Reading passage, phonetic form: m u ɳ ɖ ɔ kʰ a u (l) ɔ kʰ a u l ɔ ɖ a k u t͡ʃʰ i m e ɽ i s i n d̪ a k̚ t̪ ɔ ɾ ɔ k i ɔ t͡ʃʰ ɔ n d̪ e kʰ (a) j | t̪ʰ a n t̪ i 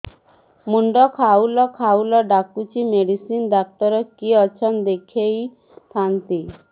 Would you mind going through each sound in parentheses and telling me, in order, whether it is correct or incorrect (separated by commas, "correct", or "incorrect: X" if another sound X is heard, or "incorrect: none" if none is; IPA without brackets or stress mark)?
correct, incorrect: e